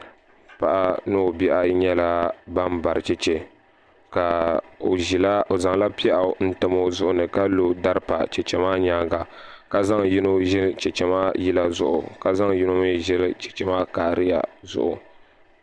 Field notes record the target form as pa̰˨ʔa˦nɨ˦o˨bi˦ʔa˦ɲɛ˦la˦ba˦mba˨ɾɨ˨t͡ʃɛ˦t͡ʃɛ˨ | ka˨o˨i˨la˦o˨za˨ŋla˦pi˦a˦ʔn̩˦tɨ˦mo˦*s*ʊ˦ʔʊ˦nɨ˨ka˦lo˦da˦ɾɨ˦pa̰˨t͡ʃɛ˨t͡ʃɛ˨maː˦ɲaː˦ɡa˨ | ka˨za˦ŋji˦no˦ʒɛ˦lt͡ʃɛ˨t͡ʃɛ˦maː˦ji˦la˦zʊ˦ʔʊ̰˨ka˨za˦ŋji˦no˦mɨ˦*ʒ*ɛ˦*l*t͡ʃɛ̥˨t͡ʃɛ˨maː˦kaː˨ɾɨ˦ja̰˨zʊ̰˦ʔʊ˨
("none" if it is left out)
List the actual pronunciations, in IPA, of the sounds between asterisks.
z, ʒ, l

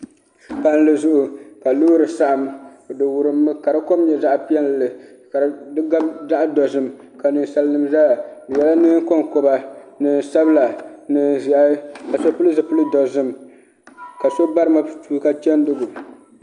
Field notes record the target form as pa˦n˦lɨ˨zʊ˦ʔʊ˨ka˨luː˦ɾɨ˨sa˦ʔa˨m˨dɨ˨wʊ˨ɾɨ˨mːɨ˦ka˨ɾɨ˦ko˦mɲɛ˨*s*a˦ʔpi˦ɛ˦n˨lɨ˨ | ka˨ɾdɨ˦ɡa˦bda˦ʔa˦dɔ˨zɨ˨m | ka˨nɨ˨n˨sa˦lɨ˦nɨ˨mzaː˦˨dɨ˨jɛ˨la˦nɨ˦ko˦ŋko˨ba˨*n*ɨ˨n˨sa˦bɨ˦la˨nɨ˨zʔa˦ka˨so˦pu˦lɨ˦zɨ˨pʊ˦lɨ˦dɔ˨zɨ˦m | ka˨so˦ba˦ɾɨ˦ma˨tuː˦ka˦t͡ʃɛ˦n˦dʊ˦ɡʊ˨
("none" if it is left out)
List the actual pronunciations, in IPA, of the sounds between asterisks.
z, n

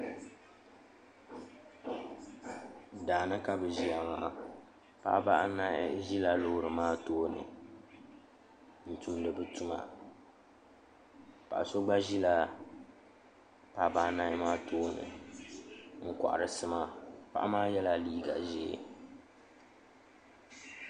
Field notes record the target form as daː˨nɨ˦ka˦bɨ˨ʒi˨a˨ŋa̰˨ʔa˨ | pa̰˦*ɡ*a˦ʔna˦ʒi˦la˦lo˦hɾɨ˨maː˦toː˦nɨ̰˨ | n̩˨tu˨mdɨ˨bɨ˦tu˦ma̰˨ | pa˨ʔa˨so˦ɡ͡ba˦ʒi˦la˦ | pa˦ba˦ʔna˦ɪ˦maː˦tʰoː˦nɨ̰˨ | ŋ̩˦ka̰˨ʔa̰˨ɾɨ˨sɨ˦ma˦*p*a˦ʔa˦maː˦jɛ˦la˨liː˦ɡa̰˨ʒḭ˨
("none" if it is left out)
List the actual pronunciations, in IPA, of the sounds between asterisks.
b, p

